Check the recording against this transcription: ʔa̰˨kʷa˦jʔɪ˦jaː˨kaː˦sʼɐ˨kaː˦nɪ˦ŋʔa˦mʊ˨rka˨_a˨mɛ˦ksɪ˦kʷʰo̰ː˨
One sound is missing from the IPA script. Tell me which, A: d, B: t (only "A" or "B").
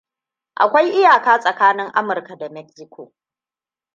A